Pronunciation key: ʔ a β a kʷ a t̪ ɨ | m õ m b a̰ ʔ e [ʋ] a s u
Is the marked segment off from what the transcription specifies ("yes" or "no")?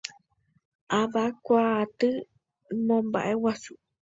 yes